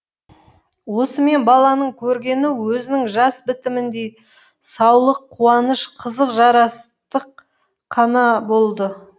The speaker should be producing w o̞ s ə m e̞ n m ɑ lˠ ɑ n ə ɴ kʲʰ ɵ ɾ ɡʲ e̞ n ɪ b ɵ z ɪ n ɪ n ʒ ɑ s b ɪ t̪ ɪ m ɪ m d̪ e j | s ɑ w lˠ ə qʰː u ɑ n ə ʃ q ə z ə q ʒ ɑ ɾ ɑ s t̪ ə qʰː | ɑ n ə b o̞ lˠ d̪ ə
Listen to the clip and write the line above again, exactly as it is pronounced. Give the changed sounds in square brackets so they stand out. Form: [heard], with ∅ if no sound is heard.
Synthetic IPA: w o̞ s ə m e̞ n [b] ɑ lˠ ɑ n ə ɴ kʲʰ ɵ ɾ ɡʲ e̞ n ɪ [w] ɵ z ɪ n ɪ [ŋ] ʒ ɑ s b ɪ t̪ ɪ m ɪ [n] d̪ e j | s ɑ w lˠ ə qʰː u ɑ n ə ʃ [qʰ] ə z ə q ʒ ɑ ɾ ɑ s t̪ ə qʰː | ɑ n [ɑ] b o̞ lˠ d̪ ə